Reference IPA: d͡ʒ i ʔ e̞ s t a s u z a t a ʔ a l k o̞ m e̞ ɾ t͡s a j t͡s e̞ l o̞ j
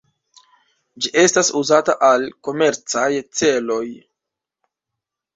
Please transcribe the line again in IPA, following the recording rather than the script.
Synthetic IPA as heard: d͡ʒ i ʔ e̞ s t a s u z a t a ʔ a l k o̞ m e̞ ɾ t͡s a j t͡s e̞ l o̞ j